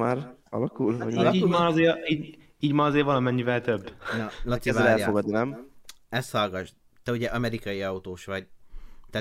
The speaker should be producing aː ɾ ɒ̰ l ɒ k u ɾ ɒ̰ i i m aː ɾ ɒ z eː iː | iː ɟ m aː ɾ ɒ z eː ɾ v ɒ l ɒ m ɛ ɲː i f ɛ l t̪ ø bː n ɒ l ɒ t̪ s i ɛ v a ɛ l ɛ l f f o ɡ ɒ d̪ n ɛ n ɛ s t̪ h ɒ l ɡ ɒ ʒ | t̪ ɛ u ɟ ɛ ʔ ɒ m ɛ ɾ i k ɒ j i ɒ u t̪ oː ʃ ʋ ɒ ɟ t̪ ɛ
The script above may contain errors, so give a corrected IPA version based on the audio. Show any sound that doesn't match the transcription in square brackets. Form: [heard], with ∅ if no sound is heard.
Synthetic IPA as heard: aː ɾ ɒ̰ l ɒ k u [l] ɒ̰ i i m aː ɾ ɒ z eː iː | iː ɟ m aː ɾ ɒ z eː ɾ v ɒ l ɒ m ɛ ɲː i [v] ɛ l t̪ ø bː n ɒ l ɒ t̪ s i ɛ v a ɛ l ɛ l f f o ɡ ɒ d̪ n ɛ [m] ɛ s t̪ h ɒ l ɡ ɒ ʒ | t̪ ɛ u ɟ ɛ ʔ ɒ m ɛ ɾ i k ɒ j i ɒ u t̪ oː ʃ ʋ ɒ ɟ t̪ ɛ